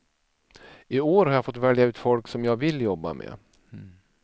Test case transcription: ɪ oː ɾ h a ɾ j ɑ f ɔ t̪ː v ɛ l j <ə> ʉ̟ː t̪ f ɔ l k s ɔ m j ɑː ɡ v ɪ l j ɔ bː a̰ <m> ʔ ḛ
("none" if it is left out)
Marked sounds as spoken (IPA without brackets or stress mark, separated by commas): a, m